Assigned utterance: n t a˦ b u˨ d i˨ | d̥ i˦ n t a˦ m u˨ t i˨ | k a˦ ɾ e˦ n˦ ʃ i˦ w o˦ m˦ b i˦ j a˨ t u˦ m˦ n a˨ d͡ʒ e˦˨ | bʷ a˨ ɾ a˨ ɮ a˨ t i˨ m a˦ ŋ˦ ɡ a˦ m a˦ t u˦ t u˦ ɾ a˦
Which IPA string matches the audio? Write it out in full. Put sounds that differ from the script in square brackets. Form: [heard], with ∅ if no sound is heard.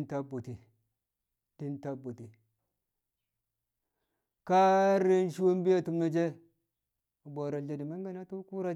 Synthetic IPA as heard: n t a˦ b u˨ [t] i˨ | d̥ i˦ n t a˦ [b] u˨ t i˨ | k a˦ ɾ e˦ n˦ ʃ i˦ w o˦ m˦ b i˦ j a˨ t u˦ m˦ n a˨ d͡ʒ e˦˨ | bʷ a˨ ɾ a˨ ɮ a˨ [d] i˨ m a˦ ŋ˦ ɡ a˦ [n] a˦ t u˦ [k] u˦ ɾ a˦

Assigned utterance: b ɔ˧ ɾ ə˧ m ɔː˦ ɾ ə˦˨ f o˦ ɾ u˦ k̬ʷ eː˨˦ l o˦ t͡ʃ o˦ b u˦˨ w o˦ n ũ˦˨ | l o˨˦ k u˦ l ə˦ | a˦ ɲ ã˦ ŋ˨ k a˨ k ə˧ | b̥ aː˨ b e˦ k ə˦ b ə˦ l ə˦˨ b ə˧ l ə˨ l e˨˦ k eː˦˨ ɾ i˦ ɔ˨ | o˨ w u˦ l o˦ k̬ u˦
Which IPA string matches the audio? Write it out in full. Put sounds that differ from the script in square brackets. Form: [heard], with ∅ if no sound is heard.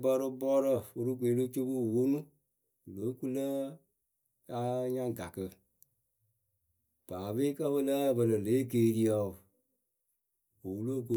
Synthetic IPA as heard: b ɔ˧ ɾ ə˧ [b] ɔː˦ ɾ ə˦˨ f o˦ ɾ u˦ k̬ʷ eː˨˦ l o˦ t͡ʃ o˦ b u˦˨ w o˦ n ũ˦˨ | l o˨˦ k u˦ l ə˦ | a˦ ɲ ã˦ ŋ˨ [ɡ] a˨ k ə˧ | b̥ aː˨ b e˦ k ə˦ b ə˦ l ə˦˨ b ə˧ l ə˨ l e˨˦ k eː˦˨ ɾ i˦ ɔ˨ | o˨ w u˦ l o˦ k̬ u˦

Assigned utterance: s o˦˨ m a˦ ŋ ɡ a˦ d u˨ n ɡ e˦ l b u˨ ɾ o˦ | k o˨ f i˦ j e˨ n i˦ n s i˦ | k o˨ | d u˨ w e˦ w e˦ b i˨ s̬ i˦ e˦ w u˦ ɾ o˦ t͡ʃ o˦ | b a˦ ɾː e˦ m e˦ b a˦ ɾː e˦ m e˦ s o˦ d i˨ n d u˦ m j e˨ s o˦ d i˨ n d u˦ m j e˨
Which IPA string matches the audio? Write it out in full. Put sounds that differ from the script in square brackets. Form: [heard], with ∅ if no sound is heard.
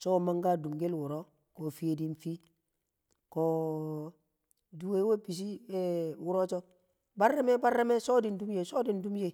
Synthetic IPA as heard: s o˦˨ m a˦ ŋ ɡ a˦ d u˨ [m] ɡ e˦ l [w] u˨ ɾ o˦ | k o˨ f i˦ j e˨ [d] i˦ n [f] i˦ | k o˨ | d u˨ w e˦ w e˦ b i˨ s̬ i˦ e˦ w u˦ ɾ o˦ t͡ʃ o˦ | b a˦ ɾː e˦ m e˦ b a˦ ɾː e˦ m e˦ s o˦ d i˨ n d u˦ m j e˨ s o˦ d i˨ n d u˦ m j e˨

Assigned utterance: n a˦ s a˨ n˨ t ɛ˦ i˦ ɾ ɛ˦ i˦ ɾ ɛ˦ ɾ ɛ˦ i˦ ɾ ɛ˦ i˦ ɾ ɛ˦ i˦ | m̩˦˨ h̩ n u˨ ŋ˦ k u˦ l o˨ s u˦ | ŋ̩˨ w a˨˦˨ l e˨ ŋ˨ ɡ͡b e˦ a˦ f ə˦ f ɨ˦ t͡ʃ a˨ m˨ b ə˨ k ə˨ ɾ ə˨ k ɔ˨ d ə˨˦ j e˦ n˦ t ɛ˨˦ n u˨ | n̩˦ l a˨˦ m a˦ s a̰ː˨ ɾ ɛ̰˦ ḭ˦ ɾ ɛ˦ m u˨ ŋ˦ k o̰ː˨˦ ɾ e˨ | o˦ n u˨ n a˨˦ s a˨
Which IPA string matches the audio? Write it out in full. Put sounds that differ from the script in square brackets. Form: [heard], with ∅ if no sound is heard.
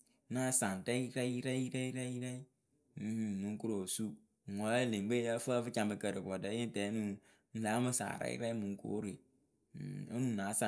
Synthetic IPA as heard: n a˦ s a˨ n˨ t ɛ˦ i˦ ɾ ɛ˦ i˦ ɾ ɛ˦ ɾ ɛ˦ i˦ ɾ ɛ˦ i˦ ɾ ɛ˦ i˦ | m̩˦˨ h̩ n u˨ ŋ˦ k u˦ [ɾ] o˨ s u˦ | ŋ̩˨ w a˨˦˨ l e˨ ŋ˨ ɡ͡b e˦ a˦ f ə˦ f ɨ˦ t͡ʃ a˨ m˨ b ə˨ k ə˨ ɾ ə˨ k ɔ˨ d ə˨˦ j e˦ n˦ t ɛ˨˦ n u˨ | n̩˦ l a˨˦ m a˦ s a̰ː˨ ɾ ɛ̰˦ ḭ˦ ɾ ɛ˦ m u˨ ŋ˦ k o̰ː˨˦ ɾ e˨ | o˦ n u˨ n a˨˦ s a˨

